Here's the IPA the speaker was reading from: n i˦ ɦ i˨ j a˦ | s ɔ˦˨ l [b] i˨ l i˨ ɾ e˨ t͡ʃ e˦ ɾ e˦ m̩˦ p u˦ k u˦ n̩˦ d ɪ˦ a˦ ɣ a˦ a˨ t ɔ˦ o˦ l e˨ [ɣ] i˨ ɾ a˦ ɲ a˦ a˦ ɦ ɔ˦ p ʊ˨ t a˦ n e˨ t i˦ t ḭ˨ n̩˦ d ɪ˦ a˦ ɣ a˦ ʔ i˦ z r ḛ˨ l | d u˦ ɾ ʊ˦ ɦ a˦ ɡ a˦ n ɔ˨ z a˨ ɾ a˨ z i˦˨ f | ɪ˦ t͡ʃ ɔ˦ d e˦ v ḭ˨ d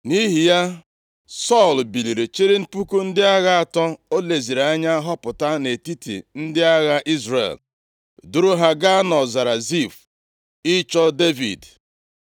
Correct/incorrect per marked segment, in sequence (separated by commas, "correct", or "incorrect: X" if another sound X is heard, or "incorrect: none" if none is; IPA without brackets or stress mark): correct, incorrect: z